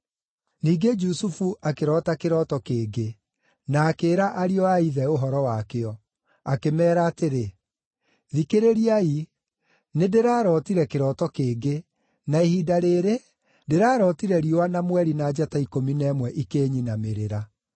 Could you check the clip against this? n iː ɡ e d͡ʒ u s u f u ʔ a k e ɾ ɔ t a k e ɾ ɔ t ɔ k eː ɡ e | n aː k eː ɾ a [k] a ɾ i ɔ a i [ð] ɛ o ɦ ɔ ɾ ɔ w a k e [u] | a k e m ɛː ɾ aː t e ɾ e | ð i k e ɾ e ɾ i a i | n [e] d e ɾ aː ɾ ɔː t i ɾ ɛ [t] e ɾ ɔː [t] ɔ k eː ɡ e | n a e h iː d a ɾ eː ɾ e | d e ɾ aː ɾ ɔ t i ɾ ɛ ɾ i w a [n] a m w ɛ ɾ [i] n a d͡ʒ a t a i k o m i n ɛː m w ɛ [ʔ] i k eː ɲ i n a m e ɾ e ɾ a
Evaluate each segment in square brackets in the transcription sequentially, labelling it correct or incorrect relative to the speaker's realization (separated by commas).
incorrect, correct, incorrect, correct, incorrect, correct, correct, correct, correct